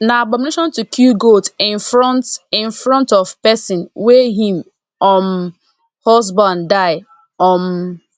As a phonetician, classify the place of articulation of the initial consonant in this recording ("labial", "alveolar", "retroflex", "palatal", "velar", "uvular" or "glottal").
alveolar